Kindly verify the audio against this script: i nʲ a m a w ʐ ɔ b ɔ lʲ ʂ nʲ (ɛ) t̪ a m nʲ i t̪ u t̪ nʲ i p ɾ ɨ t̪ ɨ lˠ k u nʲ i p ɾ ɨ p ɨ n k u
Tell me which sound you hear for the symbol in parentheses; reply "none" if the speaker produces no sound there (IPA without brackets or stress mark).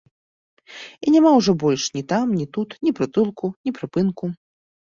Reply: i